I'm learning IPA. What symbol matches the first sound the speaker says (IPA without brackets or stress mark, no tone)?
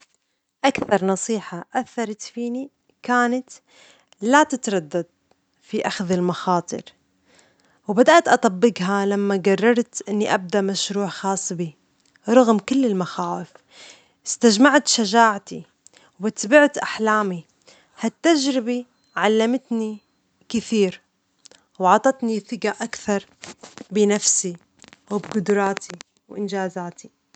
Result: ʔ